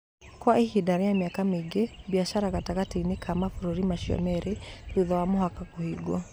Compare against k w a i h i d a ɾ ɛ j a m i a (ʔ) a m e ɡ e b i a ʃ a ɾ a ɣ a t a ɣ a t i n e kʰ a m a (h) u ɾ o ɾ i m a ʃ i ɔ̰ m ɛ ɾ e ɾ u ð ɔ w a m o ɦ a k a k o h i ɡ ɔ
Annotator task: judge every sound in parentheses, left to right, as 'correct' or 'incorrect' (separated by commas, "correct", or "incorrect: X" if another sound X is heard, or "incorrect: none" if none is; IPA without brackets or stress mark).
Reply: incorrect: k, incorrect: f